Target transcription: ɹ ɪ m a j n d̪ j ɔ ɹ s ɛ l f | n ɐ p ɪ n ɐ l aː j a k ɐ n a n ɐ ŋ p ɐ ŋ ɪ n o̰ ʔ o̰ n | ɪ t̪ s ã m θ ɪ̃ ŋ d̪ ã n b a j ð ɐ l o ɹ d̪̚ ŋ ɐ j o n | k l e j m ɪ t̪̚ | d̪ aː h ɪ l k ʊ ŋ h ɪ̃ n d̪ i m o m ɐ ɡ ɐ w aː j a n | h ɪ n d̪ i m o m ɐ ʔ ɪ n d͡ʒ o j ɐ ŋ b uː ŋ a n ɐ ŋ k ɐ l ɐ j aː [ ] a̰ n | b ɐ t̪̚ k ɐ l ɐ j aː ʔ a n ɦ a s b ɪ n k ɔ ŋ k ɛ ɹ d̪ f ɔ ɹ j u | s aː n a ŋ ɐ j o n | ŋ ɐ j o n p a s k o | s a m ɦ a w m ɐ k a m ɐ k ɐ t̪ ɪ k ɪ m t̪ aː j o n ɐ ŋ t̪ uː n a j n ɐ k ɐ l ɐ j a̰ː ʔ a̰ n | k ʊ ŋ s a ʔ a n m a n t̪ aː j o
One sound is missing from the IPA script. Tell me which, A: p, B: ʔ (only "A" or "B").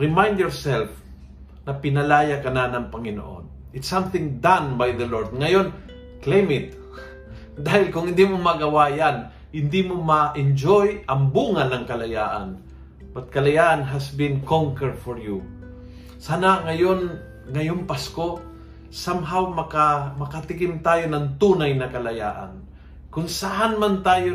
B